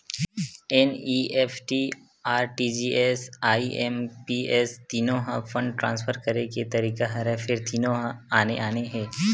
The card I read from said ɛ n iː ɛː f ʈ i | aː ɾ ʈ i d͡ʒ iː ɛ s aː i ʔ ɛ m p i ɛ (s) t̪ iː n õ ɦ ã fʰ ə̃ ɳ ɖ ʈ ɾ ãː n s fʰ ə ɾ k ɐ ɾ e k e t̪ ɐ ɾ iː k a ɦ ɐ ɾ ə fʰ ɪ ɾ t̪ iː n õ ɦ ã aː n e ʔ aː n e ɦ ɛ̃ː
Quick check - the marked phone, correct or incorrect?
correct